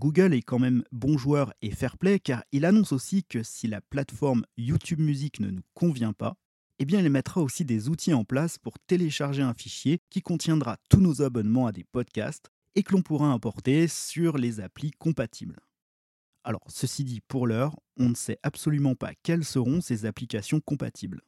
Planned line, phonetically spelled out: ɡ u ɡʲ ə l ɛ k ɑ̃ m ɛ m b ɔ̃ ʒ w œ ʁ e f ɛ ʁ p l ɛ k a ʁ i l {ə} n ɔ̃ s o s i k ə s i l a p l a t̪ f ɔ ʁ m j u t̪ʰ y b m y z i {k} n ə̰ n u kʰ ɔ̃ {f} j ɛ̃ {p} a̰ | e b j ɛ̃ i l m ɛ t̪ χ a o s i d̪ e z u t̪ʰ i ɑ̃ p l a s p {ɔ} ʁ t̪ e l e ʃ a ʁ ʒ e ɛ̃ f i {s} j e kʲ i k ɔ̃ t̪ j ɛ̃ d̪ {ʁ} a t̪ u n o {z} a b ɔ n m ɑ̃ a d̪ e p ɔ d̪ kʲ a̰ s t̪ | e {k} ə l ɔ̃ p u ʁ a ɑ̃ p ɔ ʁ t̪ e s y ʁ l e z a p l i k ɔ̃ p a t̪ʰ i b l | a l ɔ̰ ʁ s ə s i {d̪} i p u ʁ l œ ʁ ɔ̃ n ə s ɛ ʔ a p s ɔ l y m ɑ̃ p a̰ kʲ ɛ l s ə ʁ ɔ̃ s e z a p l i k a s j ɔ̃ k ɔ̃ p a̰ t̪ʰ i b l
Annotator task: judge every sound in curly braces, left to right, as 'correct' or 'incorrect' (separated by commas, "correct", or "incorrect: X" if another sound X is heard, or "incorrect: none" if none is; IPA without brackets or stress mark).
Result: incorrect: a, correct, incorrect: v, correct, incorrect: u, incorrect: ʃ, correct, correct, correct, correct